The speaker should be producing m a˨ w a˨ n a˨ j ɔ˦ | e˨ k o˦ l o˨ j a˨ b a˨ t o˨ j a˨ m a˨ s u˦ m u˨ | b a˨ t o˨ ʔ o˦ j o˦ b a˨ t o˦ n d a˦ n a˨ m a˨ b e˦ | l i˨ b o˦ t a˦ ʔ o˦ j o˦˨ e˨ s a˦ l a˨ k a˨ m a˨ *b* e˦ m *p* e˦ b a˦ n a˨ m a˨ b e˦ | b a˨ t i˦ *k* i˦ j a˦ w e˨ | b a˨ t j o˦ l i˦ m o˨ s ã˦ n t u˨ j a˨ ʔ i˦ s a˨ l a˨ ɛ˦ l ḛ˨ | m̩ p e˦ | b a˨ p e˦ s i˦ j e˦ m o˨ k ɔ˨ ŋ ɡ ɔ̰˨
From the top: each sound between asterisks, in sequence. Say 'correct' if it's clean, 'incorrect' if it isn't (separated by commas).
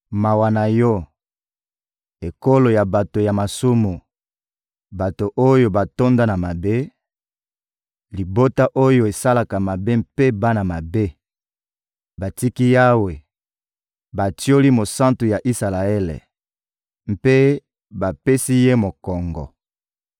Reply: correct, correct, correct